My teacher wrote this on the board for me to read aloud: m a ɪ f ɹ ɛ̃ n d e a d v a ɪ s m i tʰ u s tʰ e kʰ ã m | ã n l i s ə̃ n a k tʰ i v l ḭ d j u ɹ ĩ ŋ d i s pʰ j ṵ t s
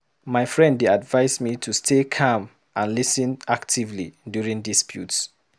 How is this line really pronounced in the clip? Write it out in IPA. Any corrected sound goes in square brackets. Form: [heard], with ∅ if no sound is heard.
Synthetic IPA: m a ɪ f ɹ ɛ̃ n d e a d v a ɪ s m i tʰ u s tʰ e kʰ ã m | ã n l i s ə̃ n a k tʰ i v l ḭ d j u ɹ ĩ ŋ d i s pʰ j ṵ t s